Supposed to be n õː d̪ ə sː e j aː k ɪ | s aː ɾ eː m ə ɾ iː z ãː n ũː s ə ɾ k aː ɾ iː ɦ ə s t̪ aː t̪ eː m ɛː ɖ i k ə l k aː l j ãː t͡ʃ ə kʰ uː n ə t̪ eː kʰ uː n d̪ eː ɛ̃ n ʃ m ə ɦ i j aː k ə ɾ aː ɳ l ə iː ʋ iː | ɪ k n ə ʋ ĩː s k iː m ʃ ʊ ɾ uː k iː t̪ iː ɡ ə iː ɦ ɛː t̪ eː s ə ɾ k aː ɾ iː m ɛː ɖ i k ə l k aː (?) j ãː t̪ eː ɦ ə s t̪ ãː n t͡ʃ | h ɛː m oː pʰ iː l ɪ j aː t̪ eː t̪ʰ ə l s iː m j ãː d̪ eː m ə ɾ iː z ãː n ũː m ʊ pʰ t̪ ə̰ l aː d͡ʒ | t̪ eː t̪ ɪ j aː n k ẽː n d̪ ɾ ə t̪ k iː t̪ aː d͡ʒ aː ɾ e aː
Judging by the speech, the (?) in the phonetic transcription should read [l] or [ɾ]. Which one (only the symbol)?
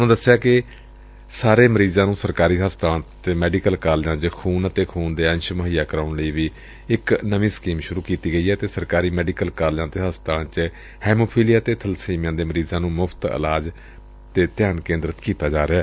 l